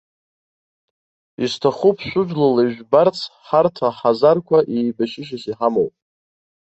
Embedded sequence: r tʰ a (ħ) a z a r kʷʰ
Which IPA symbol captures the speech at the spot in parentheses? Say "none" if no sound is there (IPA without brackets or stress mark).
ħ